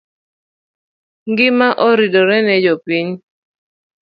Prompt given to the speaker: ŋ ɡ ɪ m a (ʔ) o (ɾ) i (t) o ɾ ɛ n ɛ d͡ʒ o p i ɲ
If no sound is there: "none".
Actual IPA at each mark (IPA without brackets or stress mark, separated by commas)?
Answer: ʔ, ɾ, d